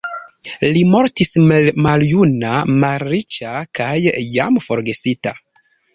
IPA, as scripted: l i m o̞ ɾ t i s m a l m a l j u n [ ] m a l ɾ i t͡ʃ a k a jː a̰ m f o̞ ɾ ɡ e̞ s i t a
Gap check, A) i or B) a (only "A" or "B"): B